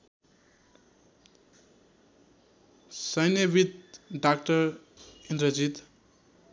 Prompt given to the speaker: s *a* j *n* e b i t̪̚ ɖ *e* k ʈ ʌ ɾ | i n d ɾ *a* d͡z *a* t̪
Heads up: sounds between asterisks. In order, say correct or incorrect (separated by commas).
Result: incorrect, correct, incorrect, incorrect, incorrect